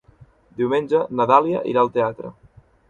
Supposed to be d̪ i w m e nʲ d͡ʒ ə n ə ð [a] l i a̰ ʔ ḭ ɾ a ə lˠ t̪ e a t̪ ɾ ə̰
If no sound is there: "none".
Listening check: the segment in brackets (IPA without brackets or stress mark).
a